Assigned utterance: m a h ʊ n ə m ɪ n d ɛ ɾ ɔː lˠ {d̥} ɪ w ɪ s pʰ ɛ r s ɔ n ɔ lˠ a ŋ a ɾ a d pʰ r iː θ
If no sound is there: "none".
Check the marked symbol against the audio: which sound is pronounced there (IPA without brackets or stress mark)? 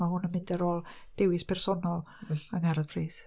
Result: d̥